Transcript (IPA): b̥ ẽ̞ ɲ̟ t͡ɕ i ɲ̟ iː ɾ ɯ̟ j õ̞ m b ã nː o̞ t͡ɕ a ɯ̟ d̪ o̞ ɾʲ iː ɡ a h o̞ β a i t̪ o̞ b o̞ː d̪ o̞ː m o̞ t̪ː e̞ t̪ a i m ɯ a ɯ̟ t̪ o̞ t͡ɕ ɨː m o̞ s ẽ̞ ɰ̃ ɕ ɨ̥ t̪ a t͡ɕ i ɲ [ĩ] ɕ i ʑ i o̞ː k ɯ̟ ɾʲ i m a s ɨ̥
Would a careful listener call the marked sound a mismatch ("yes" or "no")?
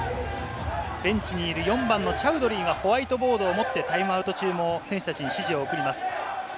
yes